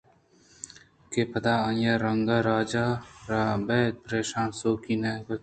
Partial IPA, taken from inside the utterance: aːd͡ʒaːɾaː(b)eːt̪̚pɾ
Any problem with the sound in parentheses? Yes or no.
no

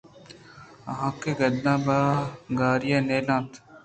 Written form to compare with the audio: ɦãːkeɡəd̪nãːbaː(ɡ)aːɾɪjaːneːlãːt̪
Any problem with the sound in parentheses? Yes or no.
no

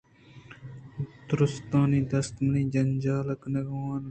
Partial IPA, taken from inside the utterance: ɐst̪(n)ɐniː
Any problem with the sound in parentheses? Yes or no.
yes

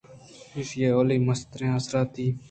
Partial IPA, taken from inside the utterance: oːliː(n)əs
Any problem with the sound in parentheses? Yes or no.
yes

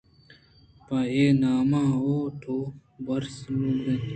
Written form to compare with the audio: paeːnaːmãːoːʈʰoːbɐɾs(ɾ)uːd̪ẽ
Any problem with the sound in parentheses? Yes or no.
yes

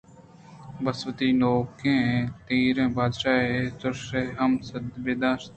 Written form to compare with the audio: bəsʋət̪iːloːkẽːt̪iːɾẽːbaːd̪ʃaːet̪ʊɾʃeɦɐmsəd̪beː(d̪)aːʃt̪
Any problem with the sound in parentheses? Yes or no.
no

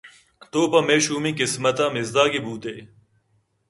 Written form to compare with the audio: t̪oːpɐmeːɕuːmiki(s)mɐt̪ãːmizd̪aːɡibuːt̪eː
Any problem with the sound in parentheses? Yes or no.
no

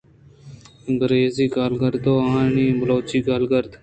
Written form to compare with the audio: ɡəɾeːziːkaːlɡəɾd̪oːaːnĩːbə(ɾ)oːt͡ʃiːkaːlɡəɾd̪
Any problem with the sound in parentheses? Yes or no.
yes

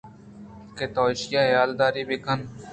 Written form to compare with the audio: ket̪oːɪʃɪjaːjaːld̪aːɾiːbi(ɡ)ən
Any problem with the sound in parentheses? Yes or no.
yes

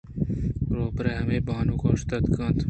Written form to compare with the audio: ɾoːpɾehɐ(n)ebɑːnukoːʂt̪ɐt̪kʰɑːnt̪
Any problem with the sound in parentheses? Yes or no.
yes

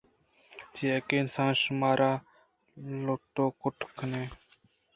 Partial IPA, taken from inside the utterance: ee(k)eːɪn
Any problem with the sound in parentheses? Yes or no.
no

